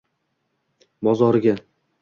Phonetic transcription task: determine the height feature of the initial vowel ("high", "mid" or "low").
low